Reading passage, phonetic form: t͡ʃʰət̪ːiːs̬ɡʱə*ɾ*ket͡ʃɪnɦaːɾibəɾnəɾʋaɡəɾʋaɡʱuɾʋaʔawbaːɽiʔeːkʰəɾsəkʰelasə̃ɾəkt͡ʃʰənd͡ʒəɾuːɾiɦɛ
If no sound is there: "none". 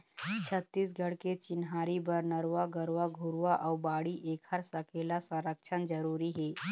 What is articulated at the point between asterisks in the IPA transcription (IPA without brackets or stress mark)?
ɽ